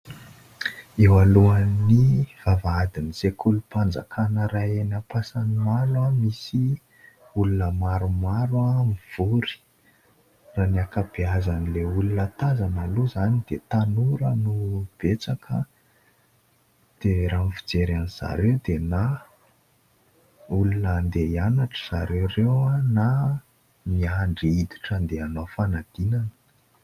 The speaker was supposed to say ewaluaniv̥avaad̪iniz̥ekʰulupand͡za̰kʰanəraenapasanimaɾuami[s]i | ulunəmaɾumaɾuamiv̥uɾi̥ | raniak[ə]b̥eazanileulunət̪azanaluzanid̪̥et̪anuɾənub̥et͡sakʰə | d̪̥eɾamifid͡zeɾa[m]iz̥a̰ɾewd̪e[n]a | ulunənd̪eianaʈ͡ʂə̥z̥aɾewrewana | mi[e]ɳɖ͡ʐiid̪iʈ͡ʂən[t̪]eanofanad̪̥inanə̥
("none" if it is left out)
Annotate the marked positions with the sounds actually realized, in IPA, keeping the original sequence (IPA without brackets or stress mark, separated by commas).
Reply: s, a, n, n, a, d̪